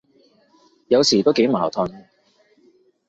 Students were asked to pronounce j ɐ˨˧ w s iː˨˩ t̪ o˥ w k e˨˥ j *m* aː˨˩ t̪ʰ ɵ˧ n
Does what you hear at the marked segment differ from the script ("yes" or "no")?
no